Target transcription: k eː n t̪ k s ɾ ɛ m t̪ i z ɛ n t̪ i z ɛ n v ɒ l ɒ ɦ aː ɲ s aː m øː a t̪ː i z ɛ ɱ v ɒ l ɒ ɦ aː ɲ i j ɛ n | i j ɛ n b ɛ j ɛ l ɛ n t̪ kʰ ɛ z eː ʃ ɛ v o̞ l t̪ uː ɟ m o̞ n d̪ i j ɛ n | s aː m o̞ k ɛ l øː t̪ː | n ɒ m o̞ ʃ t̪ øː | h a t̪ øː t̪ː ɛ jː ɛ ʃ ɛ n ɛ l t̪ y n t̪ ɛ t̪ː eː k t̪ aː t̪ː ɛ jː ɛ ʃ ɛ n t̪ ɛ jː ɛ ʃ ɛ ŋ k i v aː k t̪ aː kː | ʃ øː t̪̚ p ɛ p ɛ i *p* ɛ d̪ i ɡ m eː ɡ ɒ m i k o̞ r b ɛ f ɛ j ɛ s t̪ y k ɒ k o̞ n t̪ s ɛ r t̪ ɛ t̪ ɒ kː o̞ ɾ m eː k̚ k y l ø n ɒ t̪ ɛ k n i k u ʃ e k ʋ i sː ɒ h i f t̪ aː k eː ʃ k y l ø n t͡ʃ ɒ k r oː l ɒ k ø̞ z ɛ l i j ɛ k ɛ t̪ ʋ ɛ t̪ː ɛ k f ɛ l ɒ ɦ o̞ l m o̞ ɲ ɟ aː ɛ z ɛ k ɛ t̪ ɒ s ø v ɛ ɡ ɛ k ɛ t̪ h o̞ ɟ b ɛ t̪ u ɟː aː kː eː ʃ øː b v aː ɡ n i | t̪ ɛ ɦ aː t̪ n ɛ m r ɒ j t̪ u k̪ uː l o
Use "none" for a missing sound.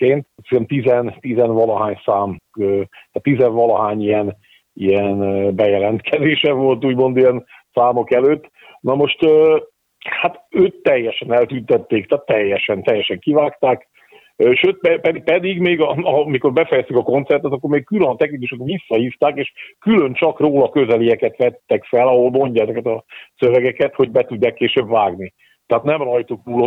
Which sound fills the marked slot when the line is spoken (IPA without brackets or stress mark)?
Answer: p